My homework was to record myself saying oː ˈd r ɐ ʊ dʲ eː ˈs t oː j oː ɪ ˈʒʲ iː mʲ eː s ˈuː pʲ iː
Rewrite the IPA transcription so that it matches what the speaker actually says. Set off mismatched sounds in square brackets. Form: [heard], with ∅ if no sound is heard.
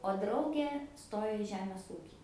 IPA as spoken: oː ˈd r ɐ ʊ [ɡʲ] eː ˈs t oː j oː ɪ ˈʒʲ [æː] mʲ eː s ˈuː [kʲ] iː